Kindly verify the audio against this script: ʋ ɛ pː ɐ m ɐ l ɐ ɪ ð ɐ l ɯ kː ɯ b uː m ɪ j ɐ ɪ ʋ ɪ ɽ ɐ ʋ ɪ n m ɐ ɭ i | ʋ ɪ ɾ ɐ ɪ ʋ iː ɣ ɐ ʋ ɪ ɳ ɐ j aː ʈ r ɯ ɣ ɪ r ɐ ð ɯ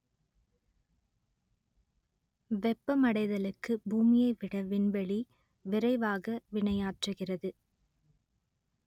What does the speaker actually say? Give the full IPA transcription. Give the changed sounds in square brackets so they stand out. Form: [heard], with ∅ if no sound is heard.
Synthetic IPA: ʋ ɛ pː ɐ m ɐ [ɽ] ɐ ɪ ð ɐ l ɯ kː ɯ b uː m ɪ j ɐ ɪ ʋ ɪ ɽ ɐ ʋ ɪ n [b] ɐ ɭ i | ʋ ɪ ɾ ɐ ɪ ʋ [aː] ɣ ɐ ʋ ɪ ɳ ɐ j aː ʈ r ɯ ɣ ɪ r ɐ ð ɯ